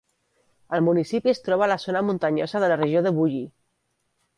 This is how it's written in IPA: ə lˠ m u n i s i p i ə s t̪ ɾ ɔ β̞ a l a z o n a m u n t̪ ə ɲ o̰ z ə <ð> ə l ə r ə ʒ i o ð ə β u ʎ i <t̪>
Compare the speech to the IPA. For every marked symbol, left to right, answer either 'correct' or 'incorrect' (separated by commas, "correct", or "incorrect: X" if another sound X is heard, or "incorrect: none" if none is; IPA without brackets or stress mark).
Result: correct, incorrect: none